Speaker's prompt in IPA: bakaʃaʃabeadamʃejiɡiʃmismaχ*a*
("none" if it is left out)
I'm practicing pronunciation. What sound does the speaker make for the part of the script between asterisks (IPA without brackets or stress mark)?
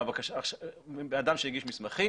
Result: i